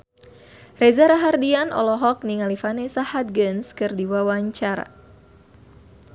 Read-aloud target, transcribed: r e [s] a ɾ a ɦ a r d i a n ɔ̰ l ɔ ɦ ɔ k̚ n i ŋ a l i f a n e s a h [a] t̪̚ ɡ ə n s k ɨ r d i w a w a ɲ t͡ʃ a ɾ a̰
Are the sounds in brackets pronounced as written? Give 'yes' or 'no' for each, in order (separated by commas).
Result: no, yes